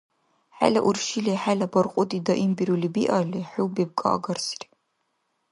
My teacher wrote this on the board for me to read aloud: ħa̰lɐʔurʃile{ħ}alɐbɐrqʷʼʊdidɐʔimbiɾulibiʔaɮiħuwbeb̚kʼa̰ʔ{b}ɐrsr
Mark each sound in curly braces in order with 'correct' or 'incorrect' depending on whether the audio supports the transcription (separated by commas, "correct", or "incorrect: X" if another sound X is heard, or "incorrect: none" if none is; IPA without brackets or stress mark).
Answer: correct, incorrect: ɡ